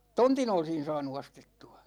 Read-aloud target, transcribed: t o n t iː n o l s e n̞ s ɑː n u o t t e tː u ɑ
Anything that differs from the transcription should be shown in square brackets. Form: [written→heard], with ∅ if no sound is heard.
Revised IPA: t o n t [iː→i] n o l s [e→i] n̞ s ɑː n u o [t→s] t e tː u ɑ